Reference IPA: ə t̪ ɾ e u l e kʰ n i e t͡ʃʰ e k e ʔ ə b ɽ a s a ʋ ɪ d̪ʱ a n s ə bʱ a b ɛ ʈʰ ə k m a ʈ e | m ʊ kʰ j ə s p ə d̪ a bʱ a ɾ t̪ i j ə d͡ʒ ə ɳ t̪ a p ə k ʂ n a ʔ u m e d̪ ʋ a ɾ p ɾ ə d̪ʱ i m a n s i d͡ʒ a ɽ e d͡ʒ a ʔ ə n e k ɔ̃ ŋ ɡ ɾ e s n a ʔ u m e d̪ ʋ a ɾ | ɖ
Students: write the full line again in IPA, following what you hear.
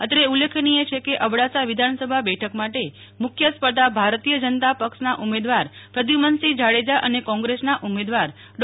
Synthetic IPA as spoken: ə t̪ ɾ e u l e kʰ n i e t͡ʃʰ e k e ʔ ə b ɽ a s a ʋ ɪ d̪ʱ a n s ə bʱ a b ɛ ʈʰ ə k m a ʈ e | m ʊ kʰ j ə s p ə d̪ a bʱ a ɾ t̪ i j ə d͡ʒ ə n t̪ a p ə k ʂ n a ʔ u m e d̪ ʋ a ɾ p ɾ ə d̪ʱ i m ə n s i d͡ʒ a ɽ e d͡ʒ a ʔ ə n e k ɔ̃ ŋ ɡ ɾ e s n a ʔ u m e d̪ ʋ a ɾ | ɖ